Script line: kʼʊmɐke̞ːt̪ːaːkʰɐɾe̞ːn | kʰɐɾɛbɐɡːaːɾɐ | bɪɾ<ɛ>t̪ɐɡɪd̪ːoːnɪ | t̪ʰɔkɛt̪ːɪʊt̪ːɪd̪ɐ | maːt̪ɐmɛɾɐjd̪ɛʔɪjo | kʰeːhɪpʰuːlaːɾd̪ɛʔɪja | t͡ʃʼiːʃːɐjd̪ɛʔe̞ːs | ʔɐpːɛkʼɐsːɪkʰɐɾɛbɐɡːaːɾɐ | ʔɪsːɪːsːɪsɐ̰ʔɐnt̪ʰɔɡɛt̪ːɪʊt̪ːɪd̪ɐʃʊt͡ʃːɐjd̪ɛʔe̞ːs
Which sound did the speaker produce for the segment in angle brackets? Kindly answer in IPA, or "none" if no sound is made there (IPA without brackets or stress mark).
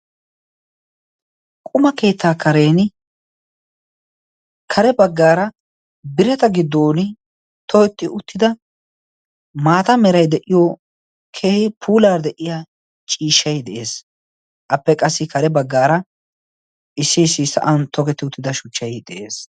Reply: ɛ